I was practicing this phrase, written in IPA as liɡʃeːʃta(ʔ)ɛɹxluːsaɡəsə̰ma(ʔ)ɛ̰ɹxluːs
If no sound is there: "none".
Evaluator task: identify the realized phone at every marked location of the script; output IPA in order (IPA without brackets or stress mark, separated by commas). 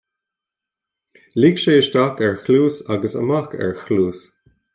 k, k